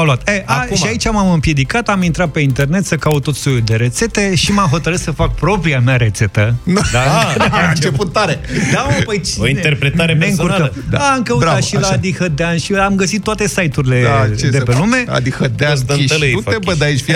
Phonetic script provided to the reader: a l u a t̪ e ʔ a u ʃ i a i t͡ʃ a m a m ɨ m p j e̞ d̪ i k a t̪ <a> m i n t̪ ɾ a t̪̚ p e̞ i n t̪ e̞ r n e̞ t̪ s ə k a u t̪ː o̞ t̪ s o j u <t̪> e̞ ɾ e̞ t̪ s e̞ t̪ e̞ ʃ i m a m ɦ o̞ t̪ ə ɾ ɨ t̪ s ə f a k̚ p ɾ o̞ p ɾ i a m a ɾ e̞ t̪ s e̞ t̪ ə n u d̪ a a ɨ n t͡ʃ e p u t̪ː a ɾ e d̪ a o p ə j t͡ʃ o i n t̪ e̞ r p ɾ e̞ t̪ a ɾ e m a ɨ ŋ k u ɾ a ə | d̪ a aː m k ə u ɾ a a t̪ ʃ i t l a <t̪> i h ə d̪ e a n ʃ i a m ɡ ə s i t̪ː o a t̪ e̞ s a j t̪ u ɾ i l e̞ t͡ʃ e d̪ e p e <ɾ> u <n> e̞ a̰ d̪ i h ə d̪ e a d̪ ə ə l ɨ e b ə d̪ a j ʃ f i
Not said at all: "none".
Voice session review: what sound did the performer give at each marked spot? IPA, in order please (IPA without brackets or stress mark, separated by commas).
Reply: a, d̪, d̪, l, m